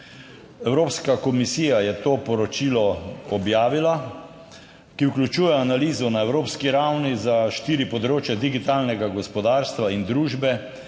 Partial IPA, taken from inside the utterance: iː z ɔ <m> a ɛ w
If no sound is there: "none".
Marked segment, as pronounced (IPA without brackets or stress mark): n